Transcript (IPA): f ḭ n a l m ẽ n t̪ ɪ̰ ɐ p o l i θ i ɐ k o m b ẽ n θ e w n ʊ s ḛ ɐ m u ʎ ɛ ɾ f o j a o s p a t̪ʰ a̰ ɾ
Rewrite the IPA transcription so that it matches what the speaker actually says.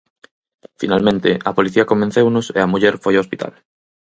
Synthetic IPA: f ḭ n a l m ẽ n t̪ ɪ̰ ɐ p o l i θ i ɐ k o m b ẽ n θ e w n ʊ s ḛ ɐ m u ʎ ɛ ɾ f o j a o s p i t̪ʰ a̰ l